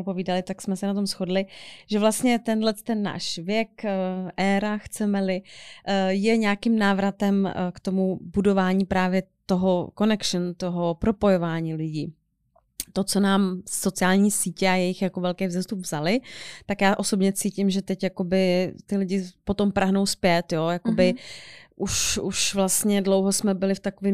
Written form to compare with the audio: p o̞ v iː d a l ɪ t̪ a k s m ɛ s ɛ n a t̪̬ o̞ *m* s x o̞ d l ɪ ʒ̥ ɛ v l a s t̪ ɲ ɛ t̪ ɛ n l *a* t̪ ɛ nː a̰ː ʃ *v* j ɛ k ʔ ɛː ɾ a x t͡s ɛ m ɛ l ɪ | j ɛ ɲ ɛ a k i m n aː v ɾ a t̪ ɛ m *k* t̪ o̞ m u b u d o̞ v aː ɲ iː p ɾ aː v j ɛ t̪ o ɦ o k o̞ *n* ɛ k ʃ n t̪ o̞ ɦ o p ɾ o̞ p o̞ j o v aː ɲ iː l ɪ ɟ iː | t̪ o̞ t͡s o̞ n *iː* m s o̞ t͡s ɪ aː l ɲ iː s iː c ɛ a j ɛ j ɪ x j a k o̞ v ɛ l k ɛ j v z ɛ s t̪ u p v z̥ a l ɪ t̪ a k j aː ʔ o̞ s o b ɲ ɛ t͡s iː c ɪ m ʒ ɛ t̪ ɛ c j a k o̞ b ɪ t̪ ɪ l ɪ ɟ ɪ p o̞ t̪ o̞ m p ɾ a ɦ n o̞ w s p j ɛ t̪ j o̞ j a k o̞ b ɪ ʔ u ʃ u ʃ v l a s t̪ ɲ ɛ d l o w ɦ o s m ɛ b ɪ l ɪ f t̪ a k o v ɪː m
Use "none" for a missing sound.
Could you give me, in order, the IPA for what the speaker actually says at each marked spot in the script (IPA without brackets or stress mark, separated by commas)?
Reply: m, ɛ, v, k, n, aː